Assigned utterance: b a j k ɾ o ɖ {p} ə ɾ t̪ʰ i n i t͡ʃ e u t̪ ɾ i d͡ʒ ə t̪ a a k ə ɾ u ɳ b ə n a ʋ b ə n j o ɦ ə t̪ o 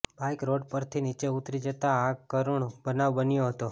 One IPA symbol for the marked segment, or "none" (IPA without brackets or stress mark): p